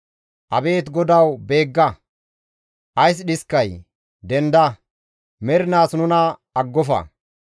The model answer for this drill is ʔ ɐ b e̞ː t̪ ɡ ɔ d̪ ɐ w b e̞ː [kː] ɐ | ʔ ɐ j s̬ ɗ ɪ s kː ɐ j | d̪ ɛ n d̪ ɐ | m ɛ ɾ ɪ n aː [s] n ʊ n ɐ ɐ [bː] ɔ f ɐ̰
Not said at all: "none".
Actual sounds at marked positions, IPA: ɡː, s, ɡː

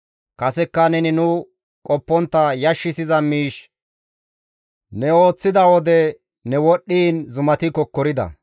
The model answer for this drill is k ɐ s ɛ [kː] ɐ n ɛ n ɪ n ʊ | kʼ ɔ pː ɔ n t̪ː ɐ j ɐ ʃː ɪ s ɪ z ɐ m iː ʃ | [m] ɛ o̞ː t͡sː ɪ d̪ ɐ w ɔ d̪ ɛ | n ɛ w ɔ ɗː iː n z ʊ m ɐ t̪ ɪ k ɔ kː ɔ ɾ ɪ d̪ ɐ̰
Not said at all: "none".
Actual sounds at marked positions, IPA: kː, n

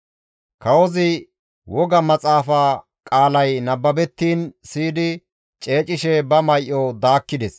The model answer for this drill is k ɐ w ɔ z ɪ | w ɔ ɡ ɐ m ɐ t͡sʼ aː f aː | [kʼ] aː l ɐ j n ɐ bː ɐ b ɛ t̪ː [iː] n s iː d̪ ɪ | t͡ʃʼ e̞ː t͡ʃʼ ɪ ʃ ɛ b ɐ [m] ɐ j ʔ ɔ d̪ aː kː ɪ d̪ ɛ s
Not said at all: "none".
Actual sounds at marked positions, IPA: kʼ, iː, m

